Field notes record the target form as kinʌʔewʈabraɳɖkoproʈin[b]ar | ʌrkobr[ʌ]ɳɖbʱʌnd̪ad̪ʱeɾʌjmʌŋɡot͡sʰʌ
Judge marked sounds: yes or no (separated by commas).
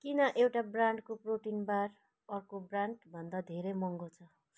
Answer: yes, no